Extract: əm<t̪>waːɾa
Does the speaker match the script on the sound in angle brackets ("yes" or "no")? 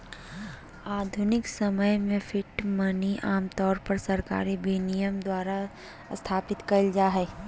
no